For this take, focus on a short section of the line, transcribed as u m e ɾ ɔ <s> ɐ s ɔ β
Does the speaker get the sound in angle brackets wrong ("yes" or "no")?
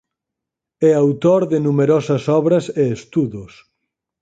no